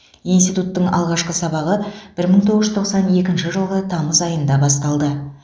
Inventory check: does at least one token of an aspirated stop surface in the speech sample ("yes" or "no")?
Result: yes